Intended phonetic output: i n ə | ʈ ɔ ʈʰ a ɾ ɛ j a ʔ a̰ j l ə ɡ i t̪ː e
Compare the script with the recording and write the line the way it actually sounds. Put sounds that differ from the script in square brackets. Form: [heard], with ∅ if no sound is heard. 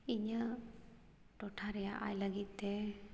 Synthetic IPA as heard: i [ɲ] ə | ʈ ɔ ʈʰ a ɾ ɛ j a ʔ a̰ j l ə ɡ i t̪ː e